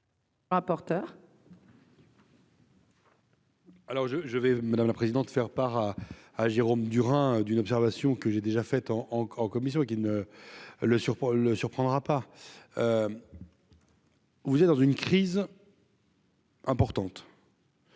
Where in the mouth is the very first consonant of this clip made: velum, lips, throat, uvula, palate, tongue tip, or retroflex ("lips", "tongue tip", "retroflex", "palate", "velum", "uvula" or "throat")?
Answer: uvula